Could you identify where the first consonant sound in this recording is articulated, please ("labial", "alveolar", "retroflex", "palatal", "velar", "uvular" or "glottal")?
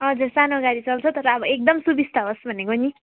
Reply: glottal